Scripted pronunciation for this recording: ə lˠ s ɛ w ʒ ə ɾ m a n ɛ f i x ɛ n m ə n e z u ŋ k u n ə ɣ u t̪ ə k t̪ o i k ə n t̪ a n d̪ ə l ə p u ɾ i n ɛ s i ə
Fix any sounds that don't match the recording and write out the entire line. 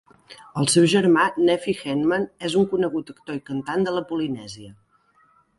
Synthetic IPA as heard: ə lˠ s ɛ w ʒ ə ɾ m a n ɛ f i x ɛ n m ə n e z u ŋ k u n ə ɣ u t̪ ə k t̪ o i k ə n t̪ a n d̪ ə l ə p u l i n ɛ z i ə